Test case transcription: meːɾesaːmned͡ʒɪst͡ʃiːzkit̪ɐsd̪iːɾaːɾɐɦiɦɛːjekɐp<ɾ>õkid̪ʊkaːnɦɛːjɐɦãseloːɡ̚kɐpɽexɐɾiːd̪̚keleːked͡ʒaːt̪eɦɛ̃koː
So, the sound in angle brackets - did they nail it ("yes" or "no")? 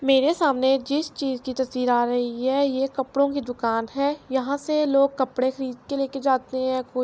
no